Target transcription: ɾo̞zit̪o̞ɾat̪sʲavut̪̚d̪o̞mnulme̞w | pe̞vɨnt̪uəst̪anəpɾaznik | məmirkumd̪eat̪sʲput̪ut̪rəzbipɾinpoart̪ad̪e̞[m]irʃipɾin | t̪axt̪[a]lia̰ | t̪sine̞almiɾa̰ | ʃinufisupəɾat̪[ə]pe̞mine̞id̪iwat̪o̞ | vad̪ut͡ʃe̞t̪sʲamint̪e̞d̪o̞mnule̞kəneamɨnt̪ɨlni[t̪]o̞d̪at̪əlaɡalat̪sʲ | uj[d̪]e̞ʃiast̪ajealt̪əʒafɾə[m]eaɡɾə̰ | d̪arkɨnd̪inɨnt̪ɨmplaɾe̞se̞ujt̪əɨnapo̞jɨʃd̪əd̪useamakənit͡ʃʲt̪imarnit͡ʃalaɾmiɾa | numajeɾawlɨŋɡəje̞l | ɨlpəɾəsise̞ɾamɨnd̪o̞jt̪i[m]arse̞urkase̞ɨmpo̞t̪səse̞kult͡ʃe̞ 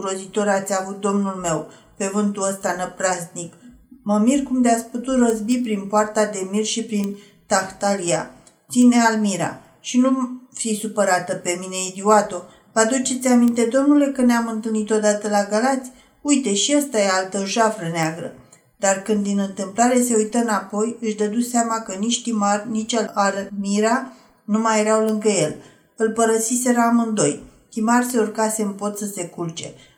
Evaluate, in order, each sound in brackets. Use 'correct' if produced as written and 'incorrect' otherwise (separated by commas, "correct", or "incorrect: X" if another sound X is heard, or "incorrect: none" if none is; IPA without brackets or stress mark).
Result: correct, correct, correct, correct, incorrect: t̪, incorrect: n, correct